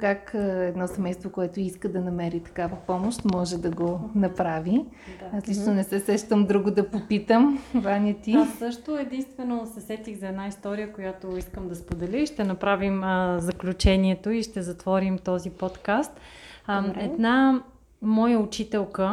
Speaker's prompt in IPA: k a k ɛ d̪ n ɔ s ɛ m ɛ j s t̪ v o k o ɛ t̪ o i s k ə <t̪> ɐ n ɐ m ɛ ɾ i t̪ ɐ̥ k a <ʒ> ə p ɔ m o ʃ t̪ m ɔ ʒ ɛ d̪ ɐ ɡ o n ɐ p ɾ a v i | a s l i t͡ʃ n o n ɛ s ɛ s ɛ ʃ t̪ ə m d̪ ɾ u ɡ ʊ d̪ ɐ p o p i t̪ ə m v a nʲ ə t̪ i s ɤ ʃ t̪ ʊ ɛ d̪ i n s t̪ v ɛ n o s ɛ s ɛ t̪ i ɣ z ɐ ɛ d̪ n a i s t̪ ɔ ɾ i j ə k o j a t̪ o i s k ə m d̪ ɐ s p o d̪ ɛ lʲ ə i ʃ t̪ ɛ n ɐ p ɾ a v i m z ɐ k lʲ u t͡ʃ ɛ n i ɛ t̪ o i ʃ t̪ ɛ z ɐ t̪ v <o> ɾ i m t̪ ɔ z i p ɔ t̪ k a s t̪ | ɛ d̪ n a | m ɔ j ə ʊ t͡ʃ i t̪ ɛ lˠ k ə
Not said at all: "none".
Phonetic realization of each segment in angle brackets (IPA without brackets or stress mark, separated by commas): d̪, v, ɔ